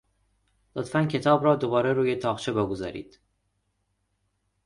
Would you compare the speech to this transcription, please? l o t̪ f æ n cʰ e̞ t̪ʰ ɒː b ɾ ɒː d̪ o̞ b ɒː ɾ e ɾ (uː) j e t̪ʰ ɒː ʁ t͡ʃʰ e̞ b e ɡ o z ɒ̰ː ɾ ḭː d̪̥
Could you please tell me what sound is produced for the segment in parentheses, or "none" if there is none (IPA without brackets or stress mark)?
uː